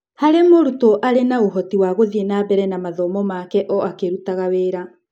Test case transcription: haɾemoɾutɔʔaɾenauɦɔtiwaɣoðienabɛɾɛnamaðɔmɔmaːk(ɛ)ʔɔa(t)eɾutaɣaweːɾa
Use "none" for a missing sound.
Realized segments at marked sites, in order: ɛ, k

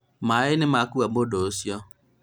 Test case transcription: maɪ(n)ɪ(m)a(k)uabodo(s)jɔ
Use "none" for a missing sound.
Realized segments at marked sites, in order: n, m, k, s

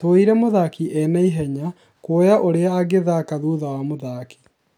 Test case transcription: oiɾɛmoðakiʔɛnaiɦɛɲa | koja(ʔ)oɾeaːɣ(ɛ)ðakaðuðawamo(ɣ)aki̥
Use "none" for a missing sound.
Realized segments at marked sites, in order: ʔ, e, ð

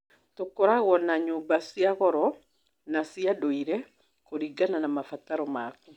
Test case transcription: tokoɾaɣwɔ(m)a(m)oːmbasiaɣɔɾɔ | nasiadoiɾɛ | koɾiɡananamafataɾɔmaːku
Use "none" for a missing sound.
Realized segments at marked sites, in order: n, ɲ

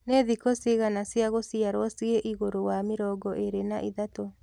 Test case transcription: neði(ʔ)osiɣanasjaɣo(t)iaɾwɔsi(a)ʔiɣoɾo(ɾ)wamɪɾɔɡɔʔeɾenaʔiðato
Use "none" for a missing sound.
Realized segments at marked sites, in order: k, s, e, none

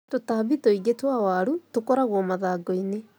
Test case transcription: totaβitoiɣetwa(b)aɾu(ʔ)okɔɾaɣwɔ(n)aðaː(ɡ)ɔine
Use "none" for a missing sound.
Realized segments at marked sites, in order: w, t, m, ɡ

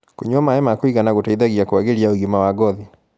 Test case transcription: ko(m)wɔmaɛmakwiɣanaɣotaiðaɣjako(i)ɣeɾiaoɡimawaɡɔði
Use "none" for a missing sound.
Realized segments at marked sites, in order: ɲ, a

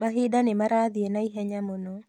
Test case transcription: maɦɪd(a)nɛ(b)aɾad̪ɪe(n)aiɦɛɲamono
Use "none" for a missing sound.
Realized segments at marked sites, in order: a, m, n

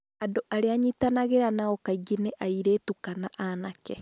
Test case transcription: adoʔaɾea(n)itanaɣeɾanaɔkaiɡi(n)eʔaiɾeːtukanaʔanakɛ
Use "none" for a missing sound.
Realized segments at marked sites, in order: ɲ, n

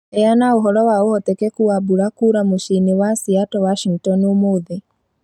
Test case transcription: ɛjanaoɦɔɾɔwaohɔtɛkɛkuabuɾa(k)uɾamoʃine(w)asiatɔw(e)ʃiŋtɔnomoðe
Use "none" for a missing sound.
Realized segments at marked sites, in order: k, w, a

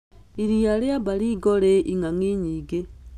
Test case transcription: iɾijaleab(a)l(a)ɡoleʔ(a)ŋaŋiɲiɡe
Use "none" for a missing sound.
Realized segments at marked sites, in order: a, i, i

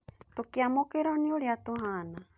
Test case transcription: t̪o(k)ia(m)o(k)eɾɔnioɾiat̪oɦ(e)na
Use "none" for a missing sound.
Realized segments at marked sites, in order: k, m, k, a

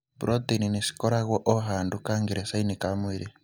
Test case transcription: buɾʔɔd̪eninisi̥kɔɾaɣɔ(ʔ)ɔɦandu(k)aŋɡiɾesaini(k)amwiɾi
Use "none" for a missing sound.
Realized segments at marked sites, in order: ʔ, k, k

